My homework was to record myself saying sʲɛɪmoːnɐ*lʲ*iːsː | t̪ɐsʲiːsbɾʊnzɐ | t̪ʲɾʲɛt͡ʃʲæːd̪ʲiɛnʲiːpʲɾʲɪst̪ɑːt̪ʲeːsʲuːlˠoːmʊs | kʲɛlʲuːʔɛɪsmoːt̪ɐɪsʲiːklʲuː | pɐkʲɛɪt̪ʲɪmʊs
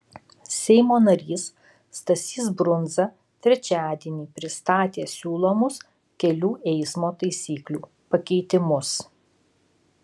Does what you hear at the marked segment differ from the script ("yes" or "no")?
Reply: yes